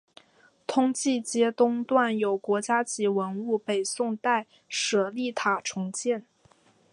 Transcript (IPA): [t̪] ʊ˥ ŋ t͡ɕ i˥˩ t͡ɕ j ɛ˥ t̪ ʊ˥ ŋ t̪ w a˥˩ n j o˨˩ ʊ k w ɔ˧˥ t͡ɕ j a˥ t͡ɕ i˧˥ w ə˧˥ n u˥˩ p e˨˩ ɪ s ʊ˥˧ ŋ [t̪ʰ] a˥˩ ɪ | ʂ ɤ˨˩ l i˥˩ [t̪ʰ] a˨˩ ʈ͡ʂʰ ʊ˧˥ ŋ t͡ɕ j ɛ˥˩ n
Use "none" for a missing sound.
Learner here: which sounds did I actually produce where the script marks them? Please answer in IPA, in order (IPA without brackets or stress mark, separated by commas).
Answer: t̪ʰ, t̪, t̪ʰ